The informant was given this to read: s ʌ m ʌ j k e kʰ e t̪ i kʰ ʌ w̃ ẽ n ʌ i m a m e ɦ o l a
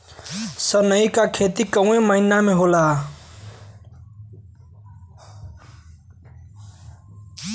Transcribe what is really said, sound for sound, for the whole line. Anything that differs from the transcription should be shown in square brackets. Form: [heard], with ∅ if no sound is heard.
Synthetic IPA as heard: s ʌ [n] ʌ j k [a] kʰ e t̪ i [k] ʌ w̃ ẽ [m] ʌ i [n] a m e ɦ o l a